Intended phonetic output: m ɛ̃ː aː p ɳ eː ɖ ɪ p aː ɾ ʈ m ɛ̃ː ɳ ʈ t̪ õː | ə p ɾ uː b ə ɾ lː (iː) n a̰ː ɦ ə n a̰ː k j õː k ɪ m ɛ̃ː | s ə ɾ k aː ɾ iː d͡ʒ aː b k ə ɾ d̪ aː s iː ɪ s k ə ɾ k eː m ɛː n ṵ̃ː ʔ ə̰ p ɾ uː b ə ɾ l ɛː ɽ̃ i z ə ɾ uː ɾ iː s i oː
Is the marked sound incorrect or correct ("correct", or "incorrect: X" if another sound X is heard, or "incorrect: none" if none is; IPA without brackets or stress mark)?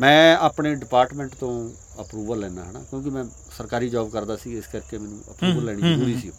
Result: incorrect: ɛː